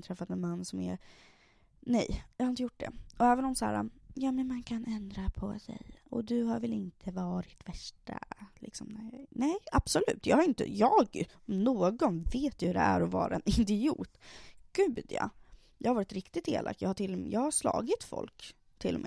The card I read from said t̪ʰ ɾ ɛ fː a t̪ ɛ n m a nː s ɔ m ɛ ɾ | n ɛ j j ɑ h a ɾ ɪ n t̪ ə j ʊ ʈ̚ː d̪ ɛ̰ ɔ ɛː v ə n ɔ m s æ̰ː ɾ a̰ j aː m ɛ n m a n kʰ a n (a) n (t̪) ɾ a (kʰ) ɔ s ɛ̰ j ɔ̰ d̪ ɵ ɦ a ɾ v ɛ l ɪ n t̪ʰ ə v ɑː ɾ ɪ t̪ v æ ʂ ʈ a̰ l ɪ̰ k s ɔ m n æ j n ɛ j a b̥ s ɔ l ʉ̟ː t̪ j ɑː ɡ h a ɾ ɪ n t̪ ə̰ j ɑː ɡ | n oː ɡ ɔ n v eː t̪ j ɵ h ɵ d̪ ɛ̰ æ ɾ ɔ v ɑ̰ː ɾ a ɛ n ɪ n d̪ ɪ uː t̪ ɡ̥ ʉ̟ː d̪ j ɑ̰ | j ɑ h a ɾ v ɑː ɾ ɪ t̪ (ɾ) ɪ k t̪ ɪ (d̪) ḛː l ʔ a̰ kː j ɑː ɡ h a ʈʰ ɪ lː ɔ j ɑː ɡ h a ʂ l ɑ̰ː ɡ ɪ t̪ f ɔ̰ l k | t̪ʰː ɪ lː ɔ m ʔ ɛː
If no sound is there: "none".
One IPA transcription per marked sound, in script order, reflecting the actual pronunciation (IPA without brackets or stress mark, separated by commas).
ɛ, d̪, pʰ, ɾ, t̪